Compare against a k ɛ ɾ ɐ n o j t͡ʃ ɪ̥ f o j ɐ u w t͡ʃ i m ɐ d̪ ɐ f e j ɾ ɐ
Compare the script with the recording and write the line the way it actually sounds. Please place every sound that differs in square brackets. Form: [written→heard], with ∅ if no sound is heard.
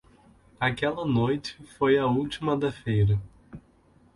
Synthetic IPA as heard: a k ɛ [ɾ→l] ɐ n o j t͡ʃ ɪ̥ f o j ɐ u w t͡ʃ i m ɐ d̪ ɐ f e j ɾ ɐ